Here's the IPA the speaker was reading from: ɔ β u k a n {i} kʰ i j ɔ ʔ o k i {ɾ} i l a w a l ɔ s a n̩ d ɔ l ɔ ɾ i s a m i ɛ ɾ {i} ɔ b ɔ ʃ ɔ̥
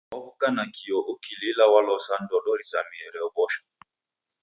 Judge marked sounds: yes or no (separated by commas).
no, no, no